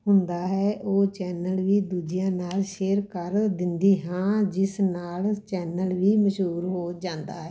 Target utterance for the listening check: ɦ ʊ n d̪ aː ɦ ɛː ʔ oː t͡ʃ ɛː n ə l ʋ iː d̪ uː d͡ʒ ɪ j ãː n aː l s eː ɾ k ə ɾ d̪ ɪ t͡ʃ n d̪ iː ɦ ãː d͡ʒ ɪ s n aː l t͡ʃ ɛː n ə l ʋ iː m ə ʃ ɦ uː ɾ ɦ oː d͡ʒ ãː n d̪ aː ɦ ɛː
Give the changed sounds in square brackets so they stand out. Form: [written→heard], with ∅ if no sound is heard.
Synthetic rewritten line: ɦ ʊ n d̪ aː ɦ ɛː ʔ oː t͡ʃ ɛː n ə l ʋ iː d̪ uː d͡ʒ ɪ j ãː n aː l [s→ʃ] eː ɾ k ə ɾ d̪ ɪ [t͡ʃ→∅] n d̪ iː ɦ ãː d͡ʒ ɪ s n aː l t͡ʃ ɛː n ə l ʋ iː m ə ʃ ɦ uː ɾ ɦ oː d͡ʒ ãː n d̪ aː ɦ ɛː

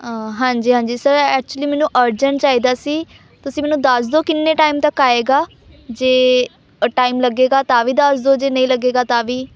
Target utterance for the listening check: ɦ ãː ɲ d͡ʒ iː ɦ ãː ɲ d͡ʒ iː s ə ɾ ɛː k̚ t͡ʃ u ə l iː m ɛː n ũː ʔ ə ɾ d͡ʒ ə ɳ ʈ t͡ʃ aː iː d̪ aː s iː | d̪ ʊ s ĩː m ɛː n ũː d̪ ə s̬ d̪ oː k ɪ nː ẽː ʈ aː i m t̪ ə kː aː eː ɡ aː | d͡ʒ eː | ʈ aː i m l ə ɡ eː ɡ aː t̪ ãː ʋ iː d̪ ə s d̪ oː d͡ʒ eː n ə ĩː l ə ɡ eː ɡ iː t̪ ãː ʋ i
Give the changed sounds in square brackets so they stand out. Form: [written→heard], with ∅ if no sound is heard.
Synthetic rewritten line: ɦ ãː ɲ d͡ʒ iː ɦ ãː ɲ d͡ʒ iː s ə ɾ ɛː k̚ t͡ʃ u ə l iː m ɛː n ũː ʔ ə ɾ d͡ʒ ə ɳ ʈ t͡ʃ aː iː d̪ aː s iː | [d̪→t̪] ʊ s ĩː m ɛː n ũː d̪ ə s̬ d̪ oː k ɪ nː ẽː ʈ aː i m t̪ ə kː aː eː ɡ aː | d͡ʒ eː | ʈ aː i m l ə ɡ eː ɡ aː t̪ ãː ʋ iː d̪ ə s d̪ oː d͡ʒ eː n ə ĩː l ə ɡ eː ɡ [iː→aː] t̪ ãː ʋ [i→iː]

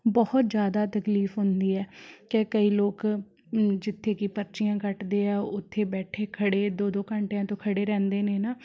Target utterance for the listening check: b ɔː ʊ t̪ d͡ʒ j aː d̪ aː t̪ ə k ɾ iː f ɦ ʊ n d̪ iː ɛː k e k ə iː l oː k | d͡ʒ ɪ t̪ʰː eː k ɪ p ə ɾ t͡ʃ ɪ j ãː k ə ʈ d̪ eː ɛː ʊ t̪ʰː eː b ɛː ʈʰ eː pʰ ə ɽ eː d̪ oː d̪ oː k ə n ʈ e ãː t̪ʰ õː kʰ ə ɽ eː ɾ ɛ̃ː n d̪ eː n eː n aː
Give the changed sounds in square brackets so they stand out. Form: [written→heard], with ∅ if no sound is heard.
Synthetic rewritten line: b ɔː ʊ t̪ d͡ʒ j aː d̪ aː t̪ ə k [ɾ→l] iː f ɦ ʊ n d̪ iː ɛː k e k ə iː l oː k | d͡ʒ ɪ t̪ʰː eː k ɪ p ə ɾ t͡ʃ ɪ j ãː k ə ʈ d̪ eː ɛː ʊ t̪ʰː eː b ɛː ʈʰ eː [pʰ→kʰ] ə ɽ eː d̪ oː d̪ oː k ə [n→ɳ] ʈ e ãː [t̪ʰ→t̪] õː kʰ ə ɽ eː ɾ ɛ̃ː n d̪ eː n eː n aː

